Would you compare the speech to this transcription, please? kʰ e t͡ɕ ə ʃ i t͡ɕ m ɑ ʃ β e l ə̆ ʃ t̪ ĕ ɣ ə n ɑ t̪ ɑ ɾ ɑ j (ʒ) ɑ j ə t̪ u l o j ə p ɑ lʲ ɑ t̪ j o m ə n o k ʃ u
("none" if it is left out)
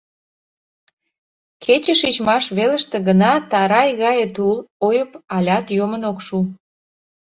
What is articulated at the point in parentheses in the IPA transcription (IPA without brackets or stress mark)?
ɣ